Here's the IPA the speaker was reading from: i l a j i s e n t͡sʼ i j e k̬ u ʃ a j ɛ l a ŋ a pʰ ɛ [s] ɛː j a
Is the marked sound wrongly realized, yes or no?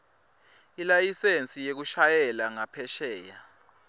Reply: yes